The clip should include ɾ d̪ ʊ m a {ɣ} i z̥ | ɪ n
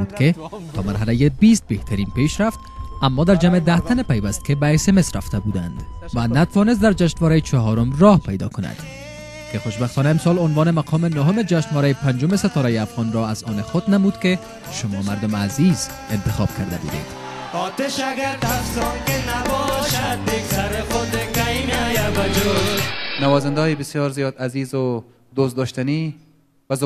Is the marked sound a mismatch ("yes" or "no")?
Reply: yes